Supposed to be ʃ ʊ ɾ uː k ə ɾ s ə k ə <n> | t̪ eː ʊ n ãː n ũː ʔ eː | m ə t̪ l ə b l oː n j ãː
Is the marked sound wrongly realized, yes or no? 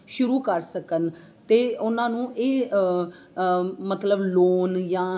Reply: no